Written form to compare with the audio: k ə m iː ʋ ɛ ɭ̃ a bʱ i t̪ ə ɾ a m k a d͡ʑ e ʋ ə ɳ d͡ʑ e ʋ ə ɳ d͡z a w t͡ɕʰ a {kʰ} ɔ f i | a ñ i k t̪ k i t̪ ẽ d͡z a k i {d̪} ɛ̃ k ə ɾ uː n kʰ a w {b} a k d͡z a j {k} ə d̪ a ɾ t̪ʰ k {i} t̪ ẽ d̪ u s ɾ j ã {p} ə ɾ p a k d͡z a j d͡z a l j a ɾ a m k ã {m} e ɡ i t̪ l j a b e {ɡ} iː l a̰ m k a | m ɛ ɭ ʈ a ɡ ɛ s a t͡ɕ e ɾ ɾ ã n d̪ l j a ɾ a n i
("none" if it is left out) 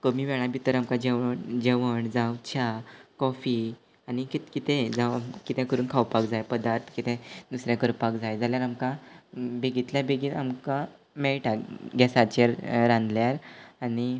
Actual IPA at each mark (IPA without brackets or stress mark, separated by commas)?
k, t̪, p, p, i, k, b, ɡ